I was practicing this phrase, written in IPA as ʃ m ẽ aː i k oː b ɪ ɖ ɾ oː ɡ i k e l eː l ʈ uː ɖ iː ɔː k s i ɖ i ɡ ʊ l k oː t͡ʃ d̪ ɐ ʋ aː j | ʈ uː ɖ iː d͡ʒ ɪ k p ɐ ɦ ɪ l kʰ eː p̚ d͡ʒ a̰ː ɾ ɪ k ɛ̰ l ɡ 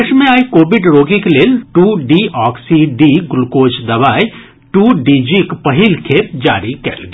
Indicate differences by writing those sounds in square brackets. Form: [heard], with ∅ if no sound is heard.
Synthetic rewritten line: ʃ m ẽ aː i k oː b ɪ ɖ ɾ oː ɡ i k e l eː l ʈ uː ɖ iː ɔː k s i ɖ i ɡ ʊ l k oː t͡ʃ d̪ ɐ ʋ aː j | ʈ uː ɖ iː d͡ʒ [i] k p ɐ ɦ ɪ l kʰ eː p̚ d͡ʒ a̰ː ɾ [i] k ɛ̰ l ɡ